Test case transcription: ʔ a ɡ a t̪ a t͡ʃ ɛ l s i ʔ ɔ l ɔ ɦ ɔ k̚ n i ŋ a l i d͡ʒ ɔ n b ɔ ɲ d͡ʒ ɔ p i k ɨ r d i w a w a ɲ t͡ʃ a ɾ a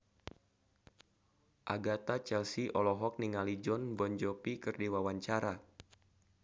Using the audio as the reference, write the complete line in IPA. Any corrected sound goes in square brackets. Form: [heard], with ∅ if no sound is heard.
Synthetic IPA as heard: ʔ a ɡ a t̪ a t͡ʃ ɛ l s i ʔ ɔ l ɔ ɦ ɔ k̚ n i ŋ a l i d͡ʒ ɔ n b ɔ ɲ d͡ʒ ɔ p i k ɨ r d i w a w a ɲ t͡ʃ a ɾ a